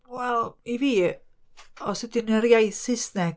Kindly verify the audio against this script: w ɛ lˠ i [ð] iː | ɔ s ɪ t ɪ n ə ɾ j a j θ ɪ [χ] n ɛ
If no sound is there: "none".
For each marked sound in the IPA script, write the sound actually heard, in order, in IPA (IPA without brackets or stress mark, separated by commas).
v, s